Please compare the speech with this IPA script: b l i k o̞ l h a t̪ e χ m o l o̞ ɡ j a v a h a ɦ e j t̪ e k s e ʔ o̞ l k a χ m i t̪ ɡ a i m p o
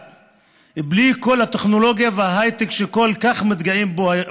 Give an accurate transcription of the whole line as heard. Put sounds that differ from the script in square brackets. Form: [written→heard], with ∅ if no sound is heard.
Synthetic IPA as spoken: b l i k o̞ l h a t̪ e χ [m→n] o l o̞ ɡ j a v [a→e] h a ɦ [e→a] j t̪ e k [s→ʃ] e [ʔ→k] o̞ l k a χ m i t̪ ɡ a i m [p→b] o